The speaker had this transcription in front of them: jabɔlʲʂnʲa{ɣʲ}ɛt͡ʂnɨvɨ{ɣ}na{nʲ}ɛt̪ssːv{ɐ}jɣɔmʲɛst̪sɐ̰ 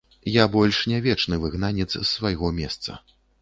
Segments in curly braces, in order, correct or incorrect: incorrect, correct, correct, incorrect

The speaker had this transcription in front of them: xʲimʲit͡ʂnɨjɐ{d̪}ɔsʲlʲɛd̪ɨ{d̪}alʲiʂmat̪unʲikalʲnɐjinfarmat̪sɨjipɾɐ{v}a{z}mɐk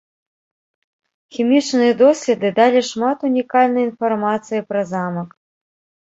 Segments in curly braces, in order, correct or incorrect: correct, correct, incorrect, incorrect

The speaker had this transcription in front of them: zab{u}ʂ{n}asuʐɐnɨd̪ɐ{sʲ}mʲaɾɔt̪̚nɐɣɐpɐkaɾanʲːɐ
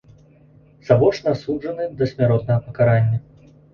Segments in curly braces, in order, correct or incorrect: incorrect, correct, correct

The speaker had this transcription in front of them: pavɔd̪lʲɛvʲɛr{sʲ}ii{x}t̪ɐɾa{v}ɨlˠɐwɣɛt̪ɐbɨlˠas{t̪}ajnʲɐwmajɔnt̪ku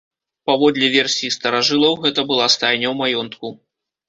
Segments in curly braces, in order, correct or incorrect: correct, incorrect, incorrect, correct

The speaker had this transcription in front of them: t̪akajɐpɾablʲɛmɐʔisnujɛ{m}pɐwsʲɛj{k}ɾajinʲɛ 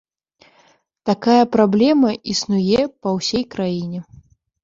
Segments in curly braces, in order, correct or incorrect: incorrect, correct

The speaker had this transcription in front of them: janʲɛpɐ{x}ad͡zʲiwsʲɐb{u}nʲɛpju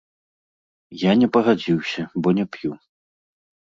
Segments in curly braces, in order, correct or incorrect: incorrect, incorrect

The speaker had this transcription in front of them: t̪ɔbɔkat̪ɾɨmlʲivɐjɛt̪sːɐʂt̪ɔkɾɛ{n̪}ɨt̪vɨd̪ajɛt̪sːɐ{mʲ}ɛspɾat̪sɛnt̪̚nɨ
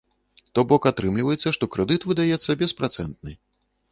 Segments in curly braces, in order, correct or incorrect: incorrect, incorrect

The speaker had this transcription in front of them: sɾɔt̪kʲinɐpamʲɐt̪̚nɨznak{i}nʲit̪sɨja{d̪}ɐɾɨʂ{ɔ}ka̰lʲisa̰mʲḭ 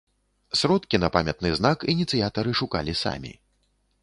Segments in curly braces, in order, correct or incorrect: correct, incorrect, incorrect

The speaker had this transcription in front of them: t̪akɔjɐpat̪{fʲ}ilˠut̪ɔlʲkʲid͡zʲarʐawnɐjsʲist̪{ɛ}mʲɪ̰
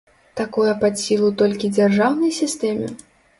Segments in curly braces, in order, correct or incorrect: incorrect, correct

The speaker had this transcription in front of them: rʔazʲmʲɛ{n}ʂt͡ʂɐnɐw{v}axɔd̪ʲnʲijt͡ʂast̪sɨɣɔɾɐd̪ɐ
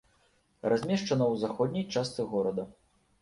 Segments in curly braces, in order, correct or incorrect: incorrect, incorrect

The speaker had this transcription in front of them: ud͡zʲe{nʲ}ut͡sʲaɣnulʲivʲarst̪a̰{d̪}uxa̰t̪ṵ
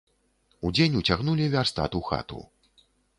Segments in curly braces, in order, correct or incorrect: correct, incorrect

